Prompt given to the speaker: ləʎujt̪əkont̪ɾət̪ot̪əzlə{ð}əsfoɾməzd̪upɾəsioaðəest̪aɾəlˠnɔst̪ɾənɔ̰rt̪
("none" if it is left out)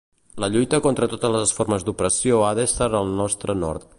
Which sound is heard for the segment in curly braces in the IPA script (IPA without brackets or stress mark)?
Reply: z